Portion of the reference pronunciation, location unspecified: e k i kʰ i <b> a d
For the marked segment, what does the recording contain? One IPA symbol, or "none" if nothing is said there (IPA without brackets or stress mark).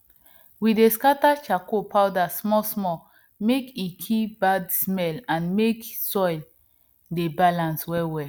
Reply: b